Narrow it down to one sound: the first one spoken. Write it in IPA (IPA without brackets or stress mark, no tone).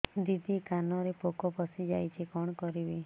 d̪